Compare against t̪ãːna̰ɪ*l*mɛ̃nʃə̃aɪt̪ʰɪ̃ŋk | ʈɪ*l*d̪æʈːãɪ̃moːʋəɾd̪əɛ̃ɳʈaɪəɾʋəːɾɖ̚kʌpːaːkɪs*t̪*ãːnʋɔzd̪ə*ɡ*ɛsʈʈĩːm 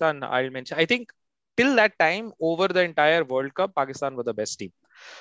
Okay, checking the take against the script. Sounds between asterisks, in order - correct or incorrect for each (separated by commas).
correct, correct, correct, incorrect